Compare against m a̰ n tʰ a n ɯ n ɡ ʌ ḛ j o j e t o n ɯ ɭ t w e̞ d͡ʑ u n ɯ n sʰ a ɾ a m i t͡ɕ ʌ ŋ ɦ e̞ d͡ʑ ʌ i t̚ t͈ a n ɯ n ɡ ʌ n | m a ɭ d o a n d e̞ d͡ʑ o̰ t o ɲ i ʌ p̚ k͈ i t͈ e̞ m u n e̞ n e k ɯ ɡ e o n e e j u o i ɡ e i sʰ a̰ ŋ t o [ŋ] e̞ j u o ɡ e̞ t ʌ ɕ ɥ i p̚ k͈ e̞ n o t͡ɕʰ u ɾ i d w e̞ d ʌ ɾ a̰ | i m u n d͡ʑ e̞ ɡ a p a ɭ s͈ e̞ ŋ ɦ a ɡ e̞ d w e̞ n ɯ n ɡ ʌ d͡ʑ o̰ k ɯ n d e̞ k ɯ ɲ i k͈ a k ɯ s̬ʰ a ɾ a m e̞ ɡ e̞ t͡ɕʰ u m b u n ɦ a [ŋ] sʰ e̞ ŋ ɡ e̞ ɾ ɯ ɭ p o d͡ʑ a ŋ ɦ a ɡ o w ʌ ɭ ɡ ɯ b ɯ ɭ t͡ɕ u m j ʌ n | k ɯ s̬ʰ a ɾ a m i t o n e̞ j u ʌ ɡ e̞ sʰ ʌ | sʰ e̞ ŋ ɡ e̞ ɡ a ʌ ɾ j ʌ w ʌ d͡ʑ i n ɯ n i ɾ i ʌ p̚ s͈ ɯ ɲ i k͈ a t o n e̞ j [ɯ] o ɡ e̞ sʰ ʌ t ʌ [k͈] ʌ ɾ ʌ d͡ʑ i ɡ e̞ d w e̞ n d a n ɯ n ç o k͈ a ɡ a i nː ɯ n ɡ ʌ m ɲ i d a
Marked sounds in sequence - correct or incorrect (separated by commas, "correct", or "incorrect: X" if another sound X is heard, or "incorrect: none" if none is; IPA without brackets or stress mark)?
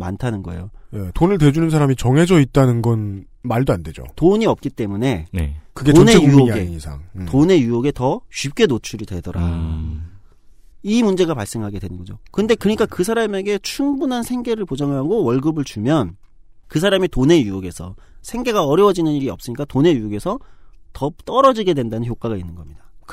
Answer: incorrect: n, incorrect: n, incorrect: u, incorrect: t͈